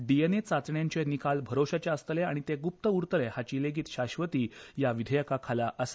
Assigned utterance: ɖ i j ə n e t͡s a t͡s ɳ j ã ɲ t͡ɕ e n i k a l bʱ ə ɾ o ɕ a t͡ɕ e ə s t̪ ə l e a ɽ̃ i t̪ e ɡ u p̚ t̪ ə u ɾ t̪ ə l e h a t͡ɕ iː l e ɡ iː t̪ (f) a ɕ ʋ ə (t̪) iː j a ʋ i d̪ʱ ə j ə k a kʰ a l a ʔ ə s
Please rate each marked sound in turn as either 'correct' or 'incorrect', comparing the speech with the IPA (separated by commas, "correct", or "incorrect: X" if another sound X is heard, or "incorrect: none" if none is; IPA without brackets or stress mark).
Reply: incorrect: ɕ, correct